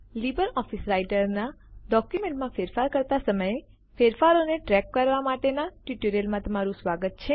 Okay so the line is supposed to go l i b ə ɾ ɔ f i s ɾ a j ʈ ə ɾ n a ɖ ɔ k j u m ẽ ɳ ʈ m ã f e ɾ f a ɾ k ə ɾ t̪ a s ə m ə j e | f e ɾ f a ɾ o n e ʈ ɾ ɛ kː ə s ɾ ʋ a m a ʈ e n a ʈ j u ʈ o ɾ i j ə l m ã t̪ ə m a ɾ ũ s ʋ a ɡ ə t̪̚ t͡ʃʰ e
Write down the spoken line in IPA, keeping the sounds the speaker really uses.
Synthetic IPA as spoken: l i b ə ɾ ɔ f i s ɾ a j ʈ ə ɾ n a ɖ ɔ k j u m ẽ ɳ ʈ m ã f e ɾ f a ɾ k ə ɾ t̪ a s ə m ə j e | f e ɾ f a ɾ o n e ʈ ɾ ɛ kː ə ɾ ʋ a m a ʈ e n a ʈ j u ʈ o ɾ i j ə l m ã t̪ ə m a ɾ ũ s ʋ a ɡ ə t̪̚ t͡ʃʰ e